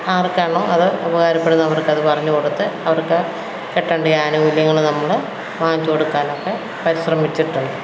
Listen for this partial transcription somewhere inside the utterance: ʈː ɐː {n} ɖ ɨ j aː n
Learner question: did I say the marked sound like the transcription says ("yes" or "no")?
no